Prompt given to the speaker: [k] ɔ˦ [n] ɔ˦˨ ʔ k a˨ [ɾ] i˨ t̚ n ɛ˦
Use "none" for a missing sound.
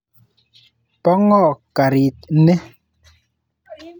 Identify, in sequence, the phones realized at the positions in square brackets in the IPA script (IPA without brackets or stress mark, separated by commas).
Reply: p, ŋ, ɾ